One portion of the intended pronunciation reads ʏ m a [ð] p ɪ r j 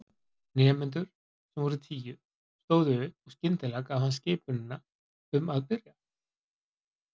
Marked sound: correct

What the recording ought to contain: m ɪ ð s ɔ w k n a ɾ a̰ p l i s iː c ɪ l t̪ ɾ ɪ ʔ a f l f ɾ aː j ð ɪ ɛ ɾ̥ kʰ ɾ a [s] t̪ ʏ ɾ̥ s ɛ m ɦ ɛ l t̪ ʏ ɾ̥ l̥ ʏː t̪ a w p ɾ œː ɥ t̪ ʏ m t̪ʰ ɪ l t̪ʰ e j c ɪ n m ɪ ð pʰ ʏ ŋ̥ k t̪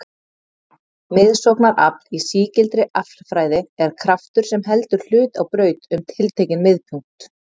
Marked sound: incorrect: f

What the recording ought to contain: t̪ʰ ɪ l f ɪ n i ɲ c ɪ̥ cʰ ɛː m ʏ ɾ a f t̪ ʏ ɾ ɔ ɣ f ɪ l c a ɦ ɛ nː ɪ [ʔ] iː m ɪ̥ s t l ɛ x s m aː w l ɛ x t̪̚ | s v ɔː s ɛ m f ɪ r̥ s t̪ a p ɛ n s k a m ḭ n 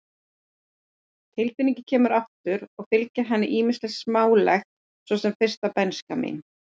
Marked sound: correct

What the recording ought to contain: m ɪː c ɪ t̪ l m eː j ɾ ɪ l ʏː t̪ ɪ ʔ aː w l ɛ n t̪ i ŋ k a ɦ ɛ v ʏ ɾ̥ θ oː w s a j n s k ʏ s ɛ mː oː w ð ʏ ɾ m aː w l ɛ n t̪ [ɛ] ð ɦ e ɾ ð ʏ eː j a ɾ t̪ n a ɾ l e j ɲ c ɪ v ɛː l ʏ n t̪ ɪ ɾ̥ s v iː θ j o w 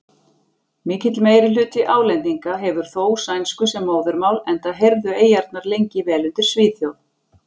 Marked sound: incorrect: a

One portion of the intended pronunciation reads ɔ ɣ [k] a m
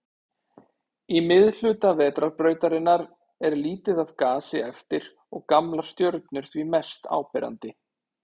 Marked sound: correct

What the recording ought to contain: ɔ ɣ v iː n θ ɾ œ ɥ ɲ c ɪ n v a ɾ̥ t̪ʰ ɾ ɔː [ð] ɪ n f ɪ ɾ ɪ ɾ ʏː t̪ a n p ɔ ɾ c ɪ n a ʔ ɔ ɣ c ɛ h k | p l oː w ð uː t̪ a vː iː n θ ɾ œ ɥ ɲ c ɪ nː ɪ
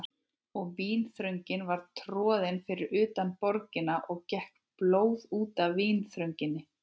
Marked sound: correct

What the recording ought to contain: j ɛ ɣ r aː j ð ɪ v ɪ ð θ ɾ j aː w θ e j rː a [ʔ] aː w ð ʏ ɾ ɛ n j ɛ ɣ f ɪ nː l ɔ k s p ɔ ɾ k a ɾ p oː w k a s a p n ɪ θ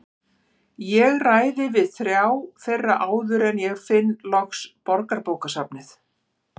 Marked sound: correct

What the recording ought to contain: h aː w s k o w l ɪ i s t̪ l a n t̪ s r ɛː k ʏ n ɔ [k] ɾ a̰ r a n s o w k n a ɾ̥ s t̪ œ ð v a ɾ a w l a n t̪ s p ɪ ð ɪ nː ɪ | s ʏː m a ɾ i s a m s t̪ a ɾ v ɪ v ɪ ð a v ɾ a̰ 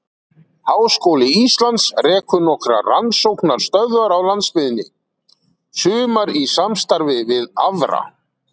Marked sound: correct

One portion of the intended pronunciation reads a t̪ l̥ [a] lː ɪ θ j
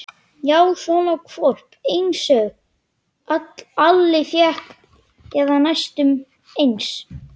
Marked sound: correct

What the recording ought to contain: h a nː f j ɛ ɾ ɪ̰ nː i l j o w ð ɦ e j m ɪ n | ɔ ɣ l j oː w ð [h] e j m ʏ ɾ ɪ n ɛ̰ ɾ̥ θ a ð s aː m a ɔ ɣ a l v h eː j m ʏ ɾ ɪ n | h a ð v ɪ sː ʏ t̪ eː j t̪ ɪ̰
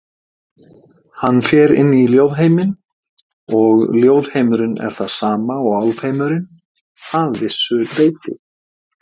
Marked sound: correct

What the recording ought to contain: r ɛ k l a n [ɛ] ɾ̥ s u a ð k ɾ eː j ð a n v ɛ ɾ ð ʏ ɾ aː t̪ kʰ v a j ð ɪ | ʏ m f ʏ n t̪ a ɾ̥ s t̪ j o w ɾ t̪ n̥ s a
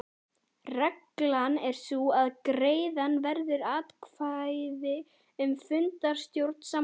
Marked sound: correct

